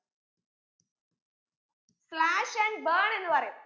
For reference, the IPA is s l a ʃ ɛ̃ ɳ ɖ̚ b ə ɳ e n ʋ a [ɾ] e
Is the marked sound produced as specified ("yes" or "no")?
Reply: yes